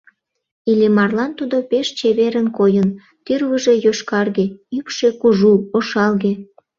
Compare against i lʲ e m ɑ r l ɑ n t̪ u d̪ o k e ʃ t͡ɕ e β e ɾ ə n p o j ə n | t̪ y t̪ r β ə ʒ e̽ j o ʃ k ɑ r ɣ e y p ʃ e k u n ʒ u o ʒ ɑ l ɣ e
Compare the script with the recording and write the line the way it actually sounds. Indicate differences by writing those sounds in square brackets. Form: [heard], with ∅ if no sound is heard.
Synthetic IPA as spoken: i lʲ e m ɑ r l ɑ n t̪ u d̪ o [p] e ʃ t͡ɕ e β e ɾ ə n [k] o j ə n | t̪ y [∅] r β ə ʒ e̽ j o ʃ k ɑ r ɣ e y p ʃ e k u [∅] ʒ u o [ʃ] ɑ l ɣ e